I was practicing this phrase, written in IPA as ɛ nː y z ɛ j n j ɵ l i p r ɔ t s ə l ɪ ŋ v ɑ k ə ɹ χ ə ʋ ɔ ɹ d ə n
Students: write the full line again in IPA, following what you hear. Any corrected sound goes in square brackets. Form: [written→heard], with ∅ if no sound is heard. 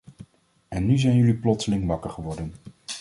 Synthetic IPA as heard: ɛ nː y z ɛ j n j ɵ l i p [r→l] ɔ t s ə l ɪ ŋ [v→ʋ] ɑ k ə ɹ χ ə ʋ ɔ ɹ d ə n